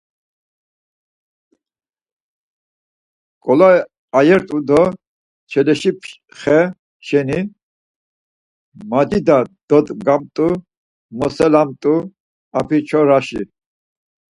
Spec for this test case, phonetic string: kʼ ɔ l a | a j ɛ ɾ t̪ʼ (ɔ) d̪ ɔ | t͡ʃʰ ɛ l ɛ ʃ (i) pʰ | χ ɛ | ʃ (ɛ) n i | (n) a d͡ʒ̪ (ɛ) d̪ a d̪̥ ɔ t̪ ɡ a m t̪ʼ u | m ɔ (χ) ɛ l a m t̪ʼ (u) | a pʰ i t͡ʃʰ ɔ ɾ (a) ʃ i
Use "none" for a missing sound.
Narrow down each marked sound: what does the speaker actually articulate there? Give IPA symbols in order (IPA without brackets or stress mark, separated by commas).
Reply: u, i, ɛ, m, i, s, u, a